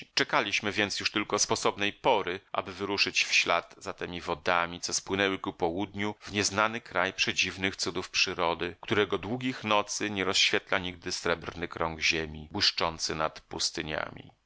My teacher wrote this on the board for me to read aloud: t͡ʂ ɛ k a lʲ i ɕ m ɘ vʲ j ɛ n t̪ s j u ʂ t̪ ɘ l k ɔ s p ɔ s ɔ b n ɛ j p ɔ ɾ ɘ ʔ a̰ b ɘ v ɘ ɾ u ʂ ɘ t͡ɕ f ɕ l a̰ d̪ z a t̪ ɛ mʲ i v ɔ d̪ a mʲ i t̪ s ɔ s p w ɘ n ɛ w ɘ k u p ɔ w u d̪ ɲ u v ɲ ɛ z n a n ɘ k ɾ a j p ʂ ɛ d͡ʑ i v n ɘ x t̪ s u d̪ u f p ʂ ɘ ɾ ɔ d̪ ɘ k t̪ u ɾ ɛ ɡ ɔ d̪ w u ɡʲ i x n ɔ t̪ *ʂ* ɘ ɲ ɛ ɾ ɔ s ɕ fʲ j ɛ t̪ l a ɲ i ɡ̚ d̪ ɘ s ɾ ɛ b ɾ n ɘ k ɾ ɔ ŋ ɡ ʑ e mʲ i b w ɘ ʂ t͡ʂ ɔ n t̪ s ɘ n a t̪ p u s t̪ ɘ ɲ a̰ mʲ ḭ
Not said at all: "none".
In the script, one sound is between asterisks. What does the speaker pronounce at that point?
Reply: s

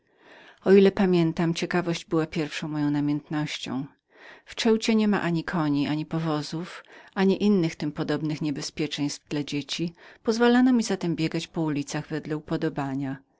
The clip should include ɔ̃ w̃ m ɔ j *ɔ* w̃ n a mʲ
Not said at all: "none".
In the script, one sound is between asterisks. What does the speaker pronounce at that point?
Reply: ɔ̃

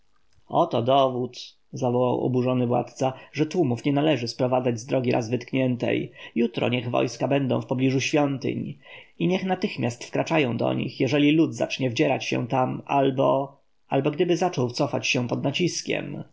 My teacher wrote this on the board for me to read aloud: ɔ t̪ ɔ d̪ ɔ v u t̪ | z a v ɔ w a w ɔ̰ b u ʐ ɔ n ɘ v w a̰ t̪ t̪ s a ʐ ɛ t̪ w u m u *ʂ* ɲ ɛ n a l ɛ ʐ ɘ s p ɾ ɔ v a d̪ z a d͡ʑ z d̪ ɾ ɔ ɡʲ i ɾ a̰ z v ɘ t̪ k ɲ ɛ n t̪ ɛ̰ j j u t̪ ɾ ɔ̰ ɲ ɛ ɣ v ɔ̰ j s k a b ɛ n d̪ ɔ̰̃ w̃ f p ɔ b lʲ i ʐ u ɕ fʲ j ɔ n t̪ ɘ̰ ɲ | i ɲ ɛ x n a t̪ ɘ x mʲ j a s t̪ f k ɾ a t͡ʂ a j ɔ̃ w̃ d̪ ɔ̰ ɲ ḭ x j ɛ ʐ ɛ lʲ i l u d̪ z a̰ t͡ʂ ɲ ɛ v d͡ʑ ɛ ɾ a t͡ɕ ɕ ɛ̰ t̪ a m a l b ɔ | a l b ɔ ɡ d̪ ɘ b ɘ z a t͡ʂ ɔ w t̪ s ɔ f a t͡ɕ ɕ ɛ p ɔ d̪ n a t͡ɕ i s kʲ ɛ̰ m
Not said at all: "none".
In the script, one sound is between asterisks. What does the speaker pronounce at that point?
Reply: f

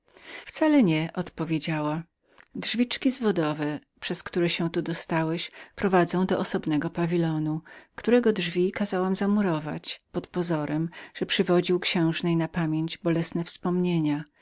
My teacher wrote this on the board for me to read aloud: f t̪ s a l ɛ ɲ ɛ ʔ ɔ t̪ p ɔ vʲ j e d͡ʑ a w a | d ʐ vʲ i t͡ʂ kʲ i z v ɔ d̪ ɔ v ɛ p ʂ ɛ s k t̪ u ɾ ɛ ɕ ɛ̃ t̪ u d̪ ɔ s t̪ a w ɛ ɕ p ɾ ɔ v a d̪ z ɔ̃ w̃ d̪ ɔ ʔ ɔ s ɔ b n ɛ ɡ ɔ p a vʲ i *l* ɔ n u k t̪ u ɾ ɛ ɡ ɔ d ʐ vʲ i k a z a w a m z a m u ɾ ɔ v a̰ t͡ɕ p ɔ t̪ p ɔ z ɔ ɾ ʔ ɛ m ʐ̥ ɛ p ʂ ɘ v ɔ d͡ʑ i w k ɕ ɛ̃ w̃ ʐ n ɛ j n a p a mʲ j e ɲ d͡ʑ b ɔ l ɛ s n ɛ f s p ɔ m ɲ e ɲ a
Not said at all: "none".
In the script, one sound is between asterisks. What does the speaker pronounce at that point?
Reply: l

